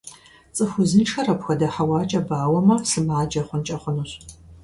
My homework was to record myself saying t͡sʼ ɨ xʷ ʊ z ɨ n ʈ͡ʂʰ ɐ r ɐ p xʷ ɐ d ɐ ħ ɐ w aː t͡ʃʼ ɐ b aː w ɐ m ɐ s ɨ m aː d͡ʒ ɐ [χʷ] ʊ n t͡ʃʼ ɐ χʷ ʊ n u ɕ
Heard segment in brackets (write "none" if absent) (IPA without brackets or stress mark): χʷ